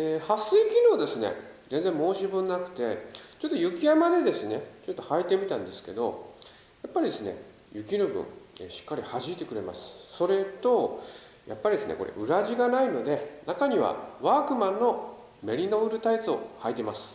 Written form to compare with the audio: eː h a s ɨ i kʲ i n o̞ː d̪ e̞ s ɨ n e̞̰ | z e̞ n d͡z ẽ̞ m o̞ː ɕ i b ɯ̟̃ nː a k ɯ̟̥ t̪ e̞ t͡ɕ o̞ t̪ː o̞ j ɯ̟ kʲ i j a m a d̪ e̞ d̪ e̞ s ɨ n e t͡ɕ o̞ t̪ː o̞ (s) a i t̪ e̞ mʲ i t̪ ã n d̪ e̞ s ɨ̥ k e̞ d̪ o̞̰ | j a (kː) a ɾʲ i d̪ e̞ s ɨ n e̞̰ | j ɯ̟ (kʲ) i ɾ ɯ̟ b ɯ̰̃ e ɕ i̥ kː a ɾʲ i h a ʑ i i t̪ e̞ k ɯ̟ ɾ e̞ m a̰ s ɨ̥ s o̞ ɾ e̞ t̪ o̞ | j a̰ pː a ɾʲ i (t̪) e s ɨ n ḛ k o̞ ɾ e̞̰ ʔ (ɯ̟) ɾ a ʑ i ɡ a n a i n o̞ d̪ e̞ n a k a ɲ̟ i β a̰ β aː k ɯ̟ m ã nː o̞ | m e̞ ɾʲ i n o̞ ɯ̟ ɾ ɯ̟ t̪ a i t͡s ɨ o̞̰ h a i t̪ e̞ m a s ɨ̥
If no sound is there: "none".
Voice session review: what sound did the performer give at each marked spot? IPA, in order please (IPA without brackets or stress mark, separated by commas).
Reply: h, pː, kʲ, d̪, ɯ̟